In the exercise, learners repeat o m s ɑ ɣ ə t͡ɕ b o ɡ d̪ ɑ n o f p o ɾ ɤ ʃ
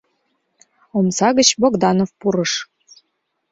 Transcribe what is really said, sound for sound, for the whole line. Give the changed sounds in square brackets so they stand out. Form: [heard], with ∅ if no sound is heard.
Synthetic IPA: o m s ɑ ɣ ə t͡ɕ b o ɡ d̪ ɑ n o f p [u] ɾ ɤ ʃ